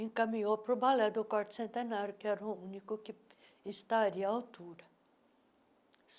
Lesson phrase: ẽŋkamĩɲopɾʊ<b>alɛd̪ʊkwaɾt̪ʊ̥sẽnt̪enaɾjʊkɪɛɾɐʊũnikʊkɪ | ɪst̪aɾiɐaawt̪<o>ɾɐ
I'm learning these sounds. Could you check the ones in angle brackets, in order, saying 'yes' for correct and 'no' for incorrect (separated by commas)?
yes, no